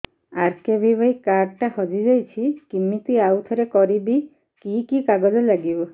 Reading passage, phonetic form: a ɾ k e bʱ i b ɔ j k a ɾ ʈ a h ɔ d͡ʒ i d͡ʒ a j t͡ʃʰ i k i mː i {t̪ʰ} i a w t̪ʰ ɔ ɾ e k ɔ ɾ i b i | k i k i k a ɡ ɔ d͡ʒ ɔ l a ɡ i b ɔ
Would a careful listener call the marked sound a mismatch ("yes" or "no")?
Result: yes